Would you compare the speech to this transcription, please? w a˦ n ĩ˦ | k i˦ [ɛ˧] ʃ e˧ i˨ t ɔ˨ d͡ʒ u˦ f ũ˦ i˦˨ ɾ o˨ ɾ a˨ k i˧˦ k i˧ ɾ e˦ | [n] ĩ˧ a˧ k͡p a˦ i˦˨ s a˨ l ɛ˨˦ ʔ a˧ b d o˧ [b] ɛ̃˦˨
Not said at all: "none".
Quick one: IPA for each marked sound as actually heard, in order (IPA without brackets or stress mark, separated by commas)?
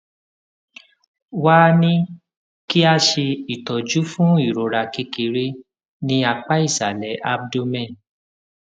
a˧, n, m